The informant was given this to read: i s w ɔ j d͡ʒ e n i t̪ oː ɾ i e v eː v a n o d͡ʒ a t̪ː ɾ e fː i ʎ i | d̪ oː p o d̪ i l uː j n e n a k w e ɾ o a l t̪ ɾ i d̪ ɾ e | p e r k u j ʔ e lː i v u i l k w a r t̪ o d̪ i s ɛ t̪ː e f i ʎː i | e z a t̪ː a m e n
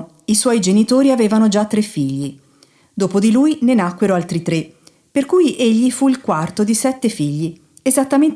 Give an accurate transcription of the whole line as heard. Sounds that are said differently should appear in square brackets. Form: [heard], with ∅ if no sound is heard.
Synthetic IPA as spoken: i s w ɔ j d͡ʒ e n i t̪ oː ɾ i [a] v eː v a n o d͡ʒ a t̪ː ɾ e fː i [ʎː] i | d̪ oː p o d̪ i l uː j n e n a k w e ɾ o a l t̪ ɾ i [t̪] ɾ e | p e r k u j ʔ e [ʎː] i [f] u i l k w a r t̪ o d̪ i s ɛ t̪ː e f i ʎː i | e z a t̪ː a m e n